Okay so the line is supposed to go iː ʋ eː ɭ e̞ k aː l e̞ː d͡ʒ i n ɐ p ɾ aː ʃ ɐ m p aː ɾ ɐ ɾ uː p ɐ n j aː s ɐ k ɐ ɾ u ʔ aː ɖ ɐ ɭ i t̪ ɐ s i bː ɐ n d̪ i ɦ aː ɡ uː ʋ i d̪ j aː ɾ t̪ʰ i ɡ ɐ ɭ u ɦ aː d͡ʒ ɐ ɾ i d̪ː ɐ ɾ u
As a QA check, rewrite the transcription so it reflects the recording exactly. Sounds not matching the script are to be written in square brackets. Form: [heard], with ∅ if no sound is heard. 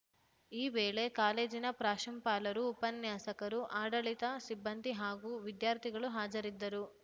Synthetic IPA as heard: iː ʋ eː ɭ e̞ k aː l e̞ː d͡ʒ i n ɐ p ɾ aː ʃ ɐ m p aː [l] ɐ ɾ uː p ɐ n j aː s ɐ k ɐ ɾ u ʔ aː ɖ ɐ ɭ i t̪ ɐ s i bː ɐ n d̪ i ɦ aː ɡ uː ʋ i d̪ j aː ɾ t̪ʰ i ɡ ɐ ɭ u ɦ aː d͡ʒ ɐ ɾ i d̪ː ɐ ɾ u

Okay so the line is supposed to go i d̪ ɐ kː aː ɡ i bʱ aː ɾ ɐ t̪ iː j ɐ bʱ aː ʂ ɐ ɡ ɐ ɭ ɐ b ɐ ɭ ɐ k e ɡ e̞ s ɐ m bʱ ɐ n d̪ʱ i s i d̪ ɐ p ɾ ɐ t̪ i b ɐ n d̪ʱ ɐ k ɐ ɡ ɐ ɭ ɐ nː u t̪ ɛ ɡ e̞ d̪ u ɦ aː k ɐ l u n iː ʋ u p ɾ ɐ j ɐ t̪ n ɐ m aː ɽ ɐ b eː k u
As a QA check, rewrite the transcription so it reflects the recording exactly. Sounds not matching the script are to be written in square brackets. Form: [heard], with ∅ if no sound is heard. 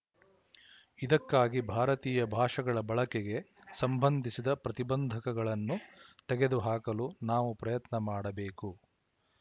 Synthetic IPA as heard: i d̪ ɐ kː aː ɡ i bʱ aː ɾ ɐ t̪ iː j ɐ bʱ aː ʂ ɐ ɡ ɐ ɭ ɐ b ɐ ɭ ɐ k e ɡ e̞ s ɐ m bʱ ɐ n d̪ʱ i s i d̪ ɐ p ɾ ɐ t̪ i b ɐ n d̪ʱ ɐ k ɐ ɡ ɐ ɭ ɐ nː u t̪ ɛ ɡ e̞ d̪ u ɦ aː k ɐ l u n [aː] ʋ u p ɾ ɐ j ɐ t̪ n ɐ m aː ɽ ɐ b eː k u

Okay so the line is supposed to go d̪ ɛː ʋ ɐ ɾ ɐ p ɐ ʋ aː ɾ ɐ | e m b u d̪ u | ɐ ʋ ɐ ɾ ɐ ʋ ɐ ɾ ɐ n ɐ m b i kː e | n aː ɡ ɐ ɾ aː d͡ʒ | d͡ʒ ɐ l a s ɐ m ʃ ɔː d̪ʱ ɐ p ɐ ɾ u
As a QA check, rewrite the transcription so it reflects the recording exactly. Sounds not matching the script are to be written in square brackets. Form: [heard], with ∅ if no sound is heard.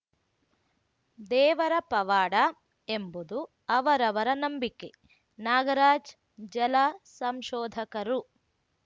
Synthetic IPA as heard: d̪ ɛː ʋ ɐ ɾ ɐ p ɐ ʋ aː [ɽ] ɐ | e m b u d̪ u | ɐ ʋ ɐ ɾ ɐ ʋ ɐ ɾ ɐ n ɐ m b i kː e | n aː ɡ ɐ ɾ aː d͡ʒ | d͡ʒ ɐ l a s ɐ m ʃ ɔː d̪ʱ ɐ [k] ɐ ɾ u

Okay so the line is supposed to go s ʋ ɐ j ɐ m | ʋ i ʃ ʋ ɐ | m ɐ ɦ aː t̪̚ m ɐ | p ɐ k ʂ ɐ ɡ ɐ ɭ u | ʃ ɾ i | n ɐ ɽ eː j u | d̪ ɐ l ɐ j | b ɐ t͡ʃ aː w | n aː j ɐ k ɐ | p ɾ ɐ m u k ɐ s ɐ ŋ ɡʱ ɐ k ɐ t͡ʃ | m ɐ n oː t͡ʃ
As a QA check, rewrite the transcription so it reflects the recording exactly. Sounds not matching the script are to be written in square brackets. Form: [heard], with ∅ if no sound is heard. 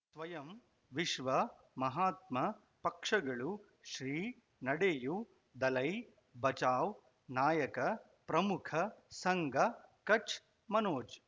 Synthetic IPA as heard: s ʋ ɐ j ɐ m | ʋ i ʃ ʋ ɐ | m ɐ ɦ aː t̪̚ m ɐ | p ɐ k ʂ ɐ ɡ ɐ ɭ u | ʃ ɾ [iː] | n ɐ ɽ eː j u | d̪ ɐ l ɐ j | b ɐ t͡ʃ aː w | n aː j ɐ k ɐ | p ɾ ɐ m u [kʰ] ɐ s ɐ ŋ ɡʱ ɐ k ɐ t͡ʃ | m ɐ n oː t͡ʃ

